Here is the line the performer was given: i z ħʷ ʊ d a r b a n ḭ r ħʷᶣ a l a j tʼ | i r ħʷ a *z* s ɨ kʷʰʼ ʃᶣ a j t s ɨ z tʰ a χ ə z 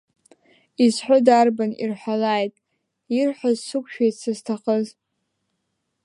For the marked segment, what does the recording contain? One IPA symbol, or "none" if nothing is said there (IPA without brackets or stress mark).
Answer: z